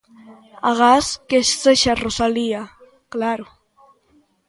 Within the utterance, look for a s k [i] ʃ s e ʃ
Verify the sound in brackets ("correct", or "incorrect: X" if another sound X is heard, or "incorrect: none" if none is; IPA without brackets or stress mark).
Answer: incorrect: e